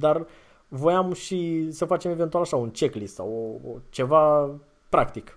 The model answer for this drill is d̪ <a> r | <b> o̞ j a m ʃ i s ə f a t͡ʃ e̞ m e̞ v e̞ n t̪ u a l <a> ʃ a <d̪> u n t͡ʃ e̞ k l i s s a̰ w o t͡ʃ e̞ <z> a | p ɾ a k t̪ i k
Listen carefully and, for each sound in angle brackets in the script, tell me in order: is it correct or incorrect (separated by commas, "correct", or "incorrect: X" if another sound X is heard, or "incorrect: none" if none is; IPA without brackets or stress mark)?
correct, incorrect: v, correct, incorrect: none, incorrect: v